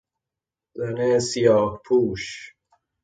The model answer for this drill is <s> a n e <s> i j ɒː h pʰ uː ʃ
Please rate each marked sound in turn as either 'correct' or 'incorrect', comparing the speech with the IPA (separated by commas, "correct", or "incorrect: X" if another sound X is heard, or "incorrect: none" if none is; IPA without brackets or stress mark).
incorrect: z, correct